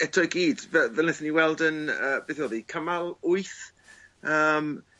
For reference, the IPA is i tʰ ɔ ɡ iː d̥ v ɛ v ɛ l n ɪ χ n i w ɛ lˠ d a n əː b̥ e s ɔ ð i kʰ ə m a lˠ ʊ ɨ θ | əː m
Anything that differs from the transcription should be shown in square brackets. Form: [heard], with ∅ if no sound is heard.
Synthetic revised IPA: [ɛ] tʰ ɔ ɡ iː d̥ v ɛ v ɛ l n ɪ [θ] n i w ɛ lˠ d [ə] n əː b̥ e [θ] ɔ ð i kʰ ə m a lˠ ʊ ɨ θ | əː m